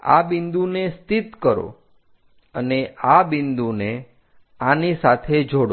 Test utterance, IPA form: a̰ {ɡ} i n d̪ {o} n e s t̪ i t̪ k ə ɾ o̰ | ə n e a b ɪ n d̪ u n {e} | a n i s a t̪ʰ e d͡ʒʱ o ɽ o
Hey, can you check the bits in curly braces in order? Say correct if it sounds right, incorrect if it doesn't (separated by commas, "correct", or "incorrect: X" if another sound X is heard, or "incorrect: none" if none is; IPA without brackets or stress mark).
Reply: incorrect: b, incorrect: u, correct